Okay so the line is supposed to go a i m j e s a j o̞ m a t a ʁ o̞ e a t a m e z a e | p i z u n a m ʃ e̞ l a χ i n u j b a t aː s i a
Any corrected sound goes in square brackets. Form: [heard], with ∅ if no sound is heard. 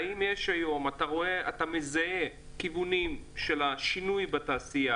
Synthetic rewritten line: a i m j e [ʃ] a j o̞ m a t a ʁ o̞ e a t a m e z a e | [k] i [v] u n [i] m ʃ e̞ l a [ʃ] i n u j b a t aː s i a